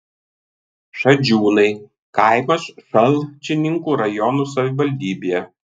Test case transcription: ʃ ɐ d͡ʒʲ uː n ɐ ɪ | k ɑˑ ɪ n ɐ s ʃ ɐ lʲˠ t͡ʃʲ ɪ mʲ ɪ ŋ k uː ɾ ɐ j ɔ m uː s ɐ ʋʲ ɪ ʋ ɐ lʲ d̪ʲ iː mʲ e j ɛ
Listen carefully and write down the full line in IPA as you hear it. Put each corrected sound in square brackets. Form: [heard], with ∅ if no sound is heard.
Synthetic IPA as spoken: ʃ ɐ d͡ʒʲ uː n ɐ ɪ | k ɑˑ ɪ [m] ɐ s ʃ ɐ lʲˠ t͡ʃʲ ɪ [nʲ] ɪ ŋ k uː ɾ ɐ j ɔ [n] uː s ɐ ʋʲ ɪ ʋ ɐ lʲ d̪ʲ iː [bʲ] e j ɛ